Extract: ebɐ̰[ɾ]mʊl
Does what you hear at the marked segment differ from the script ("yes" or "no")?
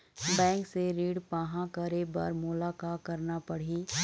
no